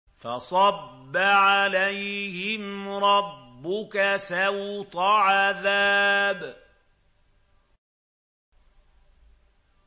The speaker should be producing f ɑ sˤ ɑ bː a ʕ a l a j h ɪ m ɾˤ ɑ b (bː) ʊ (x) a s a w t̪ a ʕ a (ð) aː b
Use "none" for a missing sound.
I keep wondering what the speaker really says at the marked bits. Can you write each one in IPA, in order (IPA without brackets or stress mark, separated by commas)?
bː, k, ð